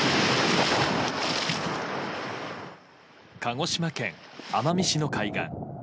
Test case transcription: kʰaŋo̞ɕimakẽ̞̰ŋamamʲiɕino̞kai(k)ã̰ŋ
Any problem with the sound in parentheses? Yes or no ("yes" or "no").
yes